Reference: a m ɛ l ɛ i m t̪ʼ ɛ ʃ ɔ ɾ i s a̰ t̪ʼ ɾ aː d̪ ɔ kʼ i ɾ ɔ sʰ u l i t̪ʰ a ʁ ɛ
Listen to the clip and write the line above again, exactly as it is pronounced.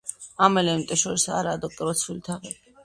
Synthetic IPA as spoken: a m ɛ l ɛ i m t̪ʼ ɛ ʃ ɔ ɾ i s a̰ ɾ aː d̪ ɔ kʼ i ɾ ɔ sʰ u l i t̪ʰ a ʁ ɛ